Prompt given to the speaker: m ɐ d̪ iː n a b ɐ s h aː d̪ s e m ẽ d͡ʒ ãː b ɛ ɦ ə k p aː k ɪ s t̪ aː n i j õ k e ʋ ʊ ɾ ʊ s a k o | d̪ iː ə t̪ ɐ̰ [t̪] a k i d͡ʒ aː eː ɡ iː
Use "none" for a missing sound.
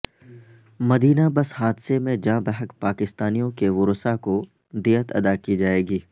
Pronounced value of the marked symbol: d̪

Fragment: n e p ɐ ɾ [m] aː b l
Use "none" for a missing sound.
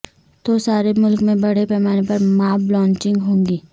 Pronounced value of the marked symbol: m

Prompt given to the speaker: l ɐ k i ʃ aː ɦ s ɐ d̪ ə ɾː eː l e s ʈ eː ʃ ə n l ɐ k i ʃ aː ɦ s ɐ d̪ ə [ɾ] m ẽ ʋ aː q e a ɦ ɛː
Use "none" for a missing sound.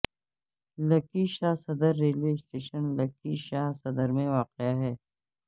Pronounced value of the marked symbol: ɾ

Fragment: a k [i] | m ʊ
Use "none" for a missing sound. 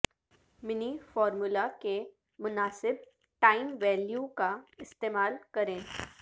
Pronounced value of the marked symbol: e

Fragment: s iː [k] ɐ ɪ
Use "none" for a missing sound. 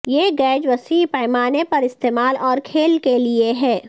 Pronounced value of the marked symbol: p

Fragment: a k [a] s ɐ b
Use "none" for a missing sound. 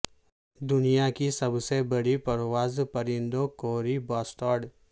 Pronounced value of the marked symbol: i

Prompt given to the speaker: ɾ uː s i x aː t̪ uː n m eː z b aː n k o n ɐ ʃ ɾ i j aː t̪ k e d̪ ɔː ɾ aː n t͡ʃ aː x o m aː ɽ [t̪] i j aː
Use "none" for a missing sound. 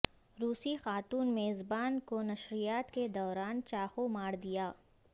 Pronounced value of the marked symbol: d̪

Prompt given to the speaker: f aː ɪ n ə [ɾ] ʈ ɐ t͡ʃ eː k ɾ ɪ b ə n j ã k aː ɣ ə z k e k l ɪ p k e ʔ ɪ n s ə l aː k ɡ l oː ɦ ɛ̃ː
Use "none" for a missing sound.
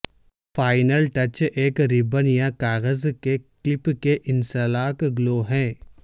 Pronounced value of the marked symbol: l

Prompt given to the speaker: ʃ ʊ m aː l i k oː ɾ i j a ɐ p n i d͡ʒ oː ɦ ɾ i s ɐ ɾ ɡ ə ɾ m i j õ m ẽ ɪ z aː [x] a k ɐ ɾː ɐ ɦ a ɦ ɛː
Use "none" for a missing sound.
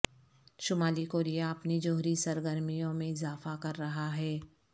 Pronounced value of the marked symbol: f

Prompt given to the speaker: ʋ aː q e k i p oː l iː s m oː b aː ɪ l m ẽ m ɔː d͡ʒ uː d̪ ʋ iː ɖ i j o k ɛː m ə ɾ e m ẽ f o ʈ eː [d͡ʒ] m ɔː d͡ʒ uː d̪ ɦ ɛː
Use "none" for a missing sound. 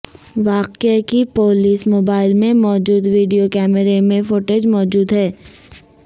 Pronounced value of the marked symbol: d͡ʒ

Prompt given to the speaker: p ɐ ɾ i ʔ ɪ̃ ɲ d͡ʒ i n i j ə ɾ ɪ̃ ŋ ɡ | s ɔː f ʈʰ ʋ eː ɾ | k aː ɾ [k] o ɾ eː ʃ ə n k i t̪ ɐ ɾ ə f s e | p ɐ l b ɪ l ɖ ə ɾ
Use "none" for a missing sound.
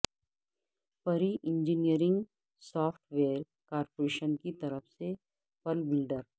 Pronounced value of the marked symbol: p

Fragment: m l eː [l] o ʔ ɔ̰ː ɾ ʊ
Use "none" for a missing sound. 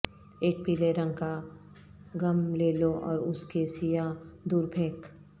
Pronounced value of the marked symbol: l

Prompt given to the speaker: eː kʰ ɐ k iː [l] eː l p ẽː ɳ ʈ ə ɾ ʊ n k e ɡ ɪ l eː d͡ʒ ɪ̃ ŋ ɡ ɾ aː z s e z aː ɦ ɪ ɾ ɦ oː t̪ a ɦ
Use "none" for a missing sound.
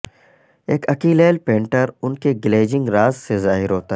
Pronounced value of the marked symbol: l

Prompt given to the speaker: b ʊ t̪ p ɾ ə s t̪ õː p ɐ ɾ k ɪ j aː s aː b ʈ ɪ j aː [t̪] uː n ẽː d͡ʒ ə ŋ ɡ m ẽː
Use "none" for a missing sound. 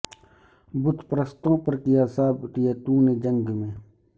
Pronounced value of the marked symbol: t̪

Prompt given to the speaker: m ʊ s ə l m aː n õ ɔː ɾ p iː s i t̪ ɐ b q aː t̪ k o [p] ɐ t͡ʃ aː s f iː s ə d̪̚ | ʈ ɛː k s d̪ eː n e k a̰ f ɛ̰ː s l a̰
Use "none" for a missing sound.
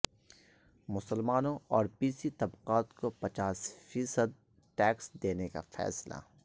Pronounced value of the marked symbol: p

